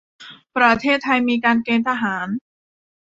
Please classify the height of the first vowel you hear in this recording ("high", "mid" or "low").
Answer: low